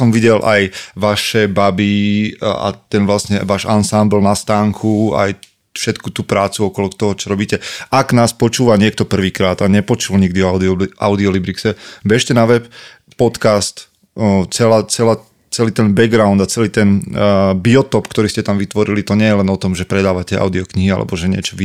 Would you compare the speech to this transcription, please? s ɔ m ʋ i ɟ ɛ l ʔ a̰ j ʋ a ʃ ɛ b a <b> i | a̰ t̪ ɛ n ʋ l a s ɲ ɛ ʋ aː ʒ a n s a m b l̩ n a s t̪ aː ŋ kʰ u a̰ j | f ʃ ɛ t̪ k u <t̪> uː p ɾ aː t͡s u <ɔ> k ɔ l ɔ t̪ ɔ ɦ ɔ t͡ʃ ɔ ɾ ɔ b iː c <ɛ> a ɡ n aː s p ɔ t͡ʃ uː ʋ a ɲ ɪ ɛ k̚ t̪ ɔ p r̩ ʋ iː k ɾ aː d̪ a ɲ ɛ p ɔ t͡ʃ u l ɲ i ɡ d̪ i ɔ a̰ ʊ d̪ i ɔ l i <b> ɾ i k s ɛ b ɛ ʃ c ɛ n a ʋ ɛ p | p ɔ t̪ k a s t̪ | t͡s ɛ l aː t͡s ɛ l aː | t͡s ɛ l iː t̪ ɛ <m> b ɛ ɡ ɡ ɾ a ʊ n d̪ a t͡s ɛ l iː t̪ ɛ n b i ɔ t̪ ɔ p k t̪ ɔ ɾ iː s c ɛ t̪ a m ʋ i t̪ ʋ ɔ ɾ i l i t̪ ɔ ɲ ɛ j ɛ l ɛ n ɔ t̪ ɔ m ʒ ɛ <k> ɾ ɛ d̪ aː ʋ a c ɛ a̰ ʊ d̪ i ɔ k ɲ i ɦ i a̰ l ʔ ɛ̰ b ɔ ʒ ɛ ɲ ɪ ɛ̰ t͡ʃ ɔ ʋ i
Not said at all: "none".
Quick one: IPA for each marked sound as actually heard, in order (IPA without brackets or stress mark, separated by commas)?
b, t̪, ɔ, ɛ, b, n, p